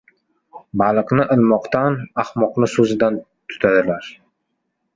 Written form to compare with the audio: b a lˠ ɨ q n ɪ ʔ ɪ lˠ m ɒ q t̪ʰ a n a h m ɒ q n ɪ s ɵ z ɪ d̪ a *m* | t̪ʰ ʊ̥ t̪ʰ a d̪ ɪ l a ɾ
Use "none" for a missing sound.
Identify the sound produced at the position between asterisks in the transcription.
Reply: n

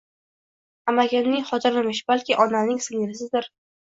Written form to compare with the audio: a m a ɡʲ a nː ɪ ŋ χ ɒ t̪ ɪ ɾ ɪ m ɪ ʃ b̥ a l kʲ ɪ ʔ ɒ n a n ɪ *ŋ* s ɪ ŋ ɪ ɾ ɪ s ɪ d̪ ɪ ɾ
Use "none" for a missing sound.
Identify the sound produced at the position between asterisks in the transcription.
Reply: ŋ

